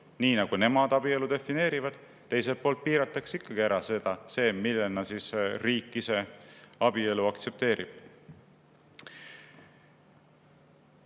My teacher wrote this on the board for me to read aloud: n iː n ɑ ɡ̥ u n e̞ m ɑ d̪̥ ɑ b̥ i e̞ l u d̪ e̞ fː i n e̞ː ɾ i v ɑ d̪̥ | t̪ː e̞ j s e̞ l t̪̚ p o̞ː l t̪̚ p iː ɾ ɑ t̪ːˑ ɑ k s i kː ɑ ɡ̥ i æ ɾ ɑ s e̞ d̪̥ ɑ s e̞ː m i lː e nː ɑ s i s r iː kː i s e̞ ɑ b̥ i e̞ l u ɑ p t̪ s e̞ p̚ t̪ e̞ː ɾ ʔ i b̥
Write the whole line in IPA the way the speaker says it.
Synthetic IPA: n iː n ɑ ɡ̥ u n e̞ m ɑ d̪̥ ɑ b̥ i e̞ l u d̪ e̞ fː i n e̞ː ɾ i v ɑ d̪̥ | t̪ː e̞ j s e̞ l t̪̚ p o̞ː l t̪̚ p iː ɾ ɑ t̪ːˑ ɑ k s i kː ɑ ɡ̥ i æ ɾ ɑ s e̞ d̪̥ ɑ s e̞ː m i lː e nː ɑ s i s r iː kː i s e̞ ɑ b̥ i e̞ l u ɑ k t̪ s e̞ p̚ t̪ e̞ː ɾ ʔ i b̥